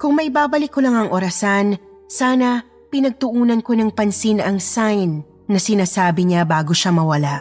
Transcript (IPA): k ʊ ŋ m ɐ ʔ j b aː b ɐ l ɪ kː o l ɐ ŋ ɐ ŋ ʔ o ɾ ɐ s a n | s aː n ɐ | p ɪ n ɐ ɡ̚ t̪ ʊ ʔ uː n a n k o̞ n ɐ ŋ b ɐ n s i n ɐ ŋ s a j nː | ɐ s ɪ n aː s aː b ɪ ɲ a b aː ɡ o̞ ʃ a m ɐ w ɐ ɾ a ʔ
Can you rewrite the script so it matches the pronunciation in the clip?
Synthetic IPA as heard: k ʊ ŋ m ɐ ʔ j b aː b ɐ l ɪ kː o l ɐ ŋ ɐ ŋ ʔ o ɾ ɐ s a n | s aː n ɐ | p ɪ n ɐ ɡ̚ t̪ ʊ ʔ uː n ɐ n k o̞ n ɐ ŋ p ɐ n s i n ɐ ŋ s a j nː | ɐ s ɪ n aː s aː b ɪ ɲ a b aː ɡ o̞ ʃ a m ɐ w ɐ l a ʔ